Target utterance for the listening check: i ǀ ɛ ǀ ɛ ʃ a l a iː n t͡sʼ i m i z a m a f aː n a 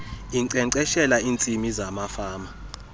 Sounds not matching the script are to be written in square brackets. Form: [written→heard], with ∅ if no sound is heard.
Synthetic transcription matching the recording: i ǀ ɛ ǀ ɛ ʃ [a→ɛ] l a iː n t͡sʼ i m i z a m a f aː [n→m] a